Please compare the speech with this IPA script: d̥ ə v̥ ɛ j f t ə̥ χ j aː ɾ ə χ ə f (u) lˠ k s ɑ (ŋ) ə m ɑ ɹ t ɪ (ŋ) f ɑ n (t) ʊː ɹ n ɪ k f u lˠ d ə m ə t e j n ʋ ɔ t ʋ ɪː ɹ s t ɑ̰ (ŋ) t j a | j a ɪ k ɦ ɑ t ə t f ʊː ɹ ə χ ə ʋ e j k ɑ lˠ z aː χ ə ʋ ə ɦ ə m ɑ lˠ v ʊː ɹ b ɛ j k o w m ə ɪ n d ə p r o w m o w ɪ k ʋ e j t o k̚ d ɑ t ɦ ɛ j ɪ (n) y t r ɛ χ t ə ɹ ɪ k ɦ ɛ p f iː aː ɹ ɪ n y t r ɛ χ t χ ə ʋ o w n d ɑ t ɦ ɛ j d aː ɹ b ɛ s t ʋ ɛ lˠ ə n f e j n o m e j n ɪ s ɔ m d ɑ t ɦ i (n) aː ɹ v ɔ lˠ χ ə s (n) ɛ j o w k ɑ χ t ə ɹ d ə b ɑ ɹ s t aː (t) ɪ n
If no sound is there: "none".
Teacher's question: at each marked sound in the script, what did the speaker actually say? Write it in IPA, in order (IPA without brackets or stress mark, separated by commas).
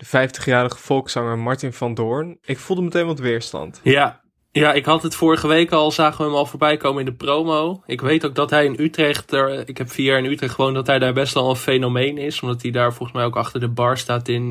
ɔ, ŋ, n, d, n, n, d, m, t